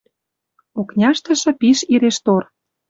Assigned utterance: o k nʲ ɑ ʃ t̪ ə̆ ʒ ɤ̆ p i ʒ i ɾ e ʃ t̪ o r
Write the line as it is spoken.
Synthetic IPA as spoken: o k nʲ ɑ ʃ t̪ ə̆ ʃ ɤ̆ p i ʃ i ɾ e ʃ t̪ o r